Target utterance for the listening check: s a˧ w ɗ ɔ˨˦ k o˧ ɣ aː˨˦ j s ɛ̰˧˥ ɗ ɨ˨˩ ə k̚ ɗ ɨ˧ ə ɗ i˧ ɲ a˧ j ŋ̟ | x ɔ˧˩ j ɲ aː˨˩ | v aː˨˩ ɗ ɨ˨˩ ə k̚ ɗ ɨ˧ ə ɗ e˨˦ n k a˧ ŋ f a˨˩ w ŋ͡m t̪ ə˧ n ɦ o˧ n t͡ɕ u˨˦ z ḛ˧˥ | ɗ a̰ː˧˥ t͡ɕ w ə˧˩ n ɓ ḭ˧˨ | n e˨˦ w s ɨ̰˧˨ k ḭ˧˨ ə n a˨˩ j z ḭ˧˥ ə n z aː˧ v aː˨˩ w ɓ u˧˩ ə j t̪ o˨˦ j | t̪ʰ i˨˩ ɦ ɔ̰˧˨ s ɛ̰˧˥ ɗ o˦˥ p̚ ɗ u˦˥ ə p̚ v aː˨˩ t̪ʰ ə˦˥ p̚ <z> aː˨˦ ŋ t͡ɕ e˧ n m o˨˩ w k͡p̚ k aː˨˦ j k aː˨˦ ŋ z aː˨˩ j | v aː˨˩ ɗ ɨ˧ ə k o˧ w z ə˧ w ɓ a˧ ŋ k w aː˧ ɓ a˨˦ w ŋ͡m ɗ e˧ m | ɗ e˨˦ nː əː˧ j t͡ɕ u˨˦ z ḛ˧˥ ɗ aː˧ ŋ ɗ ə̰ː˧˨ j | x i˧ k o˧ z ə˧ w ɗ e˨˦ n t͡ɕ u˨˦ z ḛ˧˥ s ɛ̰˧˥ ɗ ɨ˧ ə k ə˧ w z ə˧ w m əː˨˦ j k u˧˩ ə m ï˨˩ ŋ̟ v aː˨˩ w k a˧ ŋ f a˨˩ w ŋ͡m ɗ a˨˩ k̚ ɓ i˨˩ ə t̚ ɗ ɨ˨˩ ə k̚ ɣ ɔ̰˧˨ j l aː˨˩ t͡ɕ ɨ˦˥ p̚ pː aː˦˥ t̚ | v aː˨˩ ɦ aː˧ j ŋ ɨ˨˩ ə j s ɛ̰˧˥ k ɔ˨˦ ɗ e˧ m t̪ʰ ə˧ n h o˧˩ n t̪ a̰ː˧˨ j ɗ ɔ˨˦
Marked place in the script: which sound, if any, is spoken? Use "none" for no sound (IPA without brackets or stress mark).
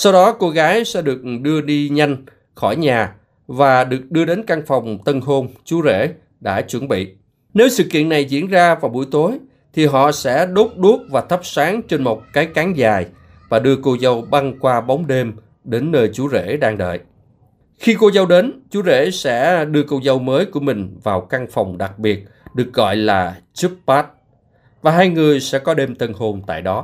s